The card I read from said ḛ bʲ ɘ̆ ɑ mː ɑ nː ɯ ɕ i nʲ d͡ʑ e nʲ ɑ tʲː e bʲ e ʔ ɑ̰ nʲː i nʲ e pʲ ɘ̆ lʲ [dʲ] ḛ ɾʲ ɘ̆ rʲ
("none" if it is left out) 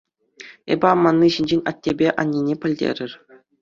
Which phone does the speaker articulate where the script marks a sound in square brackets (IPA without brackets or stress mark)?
dʲ